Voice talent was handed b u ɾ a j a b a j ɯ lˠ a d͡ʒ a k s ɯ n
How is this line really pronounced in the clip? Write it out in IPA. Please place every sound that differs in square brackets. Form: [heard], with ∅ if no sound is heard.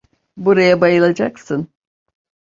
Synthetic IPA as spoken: b u ɾ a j a b a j ɯ lˠ a d͡ʒ a k s ɯ n